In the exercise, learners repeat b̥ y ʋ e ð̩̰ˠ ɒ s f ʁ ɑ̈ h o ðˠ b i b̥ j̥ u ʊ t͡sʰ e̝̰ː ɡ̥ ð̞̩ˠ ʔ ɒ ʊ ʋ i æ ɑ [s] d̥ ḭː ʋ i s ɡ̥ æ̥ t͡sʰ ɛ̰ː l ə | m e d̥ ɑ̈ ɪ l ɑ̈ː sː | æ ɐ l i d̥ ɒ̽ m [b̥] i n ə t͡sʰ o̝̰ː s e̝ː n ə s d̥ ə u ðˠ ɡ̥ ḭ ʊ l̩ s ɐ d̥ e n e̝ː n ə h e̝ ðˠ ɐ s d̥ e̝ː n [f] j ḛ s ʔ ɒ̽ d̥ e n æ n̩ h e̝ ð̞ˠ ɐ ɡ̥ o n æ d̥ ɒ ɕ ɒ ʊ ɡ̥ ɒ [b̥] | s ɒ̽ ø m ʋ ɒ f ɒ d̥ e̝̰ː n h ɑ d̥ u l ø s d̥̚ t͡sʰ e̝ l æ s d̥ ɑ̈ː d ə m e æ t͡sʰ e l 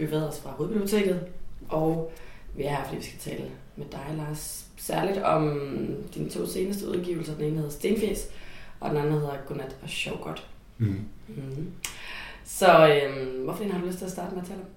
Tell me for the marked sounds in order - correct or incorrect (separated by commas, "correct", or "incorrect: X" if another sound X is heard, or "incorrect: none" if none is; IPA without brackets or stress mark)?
incorrect: f, incorrect: d̥, correct, incorrect: d̥